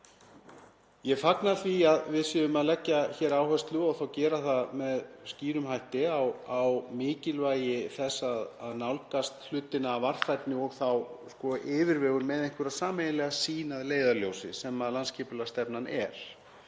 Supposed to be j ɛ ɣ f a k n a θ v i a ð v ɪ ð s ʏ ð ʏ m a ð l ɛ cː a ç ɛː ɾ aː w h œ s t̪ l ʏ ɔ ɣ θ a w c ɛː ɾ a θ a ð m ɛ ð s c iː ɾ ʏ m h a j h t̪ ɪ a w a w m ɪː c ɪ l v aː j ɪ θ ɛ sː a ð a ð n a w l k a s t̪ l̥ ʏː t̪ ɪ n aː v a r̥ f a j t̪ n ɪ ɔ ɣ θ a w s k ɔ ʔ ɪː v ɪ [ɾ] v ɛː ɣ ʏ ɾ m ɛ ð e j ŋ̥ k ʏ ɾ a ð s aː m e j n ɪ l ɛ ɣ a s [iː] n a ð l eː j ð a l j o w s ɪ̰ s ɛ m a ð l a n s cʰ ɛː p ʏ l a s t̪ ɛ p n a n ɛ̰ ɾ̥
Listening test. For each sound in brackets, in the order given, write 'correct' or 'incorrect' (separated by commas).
correct, correct